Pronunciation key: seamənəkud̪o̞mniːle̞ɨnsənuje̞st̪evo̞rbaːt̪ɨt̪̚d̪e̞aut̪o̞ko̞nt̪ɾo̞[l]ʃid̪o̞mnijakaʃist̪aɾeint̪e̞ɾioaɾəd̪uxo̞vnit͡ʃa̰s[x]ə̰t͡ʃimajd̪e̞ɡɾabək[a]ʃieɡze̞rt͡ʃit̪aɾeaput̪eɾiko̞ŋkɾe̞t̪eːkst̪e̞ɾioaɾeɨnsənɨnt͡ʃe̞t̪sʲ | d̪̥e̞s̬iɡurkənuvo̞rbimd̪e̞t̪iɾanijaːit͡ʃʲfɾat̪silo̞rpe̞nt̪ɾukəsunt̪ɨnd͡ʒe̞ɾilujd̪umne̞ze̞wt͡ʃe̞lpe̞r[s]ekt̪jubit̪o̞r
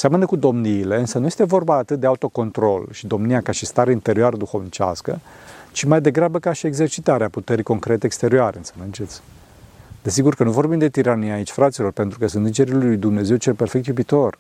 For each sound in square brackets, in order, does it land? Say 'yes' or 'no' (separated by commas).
yes, no, yes, no